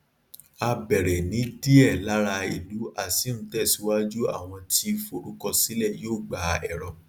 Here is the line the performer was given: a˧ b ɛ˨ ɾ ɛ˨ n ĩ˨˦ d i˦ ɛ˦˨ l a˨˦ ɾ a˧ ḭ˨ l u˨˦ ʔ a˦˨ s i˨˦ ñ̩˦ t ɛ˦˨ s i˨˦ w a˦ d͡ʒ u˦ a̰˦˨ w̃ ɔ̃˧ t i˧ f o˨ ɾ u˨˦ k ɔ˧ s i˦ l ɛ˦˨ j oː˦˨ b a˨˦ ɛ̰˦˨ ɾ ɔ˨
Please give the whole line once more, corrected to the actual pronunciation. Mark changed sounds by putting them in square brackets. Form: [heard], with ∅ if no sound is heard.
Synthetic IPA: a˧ b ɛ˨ ɾ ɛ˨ n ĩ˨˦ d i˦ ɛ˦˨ l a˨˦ ɾ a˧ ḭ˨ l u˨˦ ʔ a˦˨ s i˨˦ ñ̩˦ t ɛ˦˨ s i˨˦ w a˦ d͡ʒ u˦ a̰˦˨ w̃ ɔ̃˧ t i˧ f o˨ ɾ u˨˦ k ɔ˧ s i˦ l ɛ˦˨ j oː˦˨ [ɡ͡b] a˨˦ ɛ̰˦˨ ɾ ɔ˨